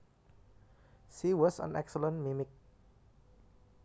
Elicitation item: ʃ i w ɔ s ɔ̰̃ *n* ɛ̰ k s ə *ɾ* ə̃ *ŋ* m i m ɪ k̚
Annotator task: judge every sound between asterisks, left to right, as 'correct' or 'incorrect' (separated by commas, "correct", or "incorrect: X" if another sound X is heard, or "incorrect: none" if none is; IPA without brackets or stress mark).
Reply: correct, incorrect: l, incorrect: n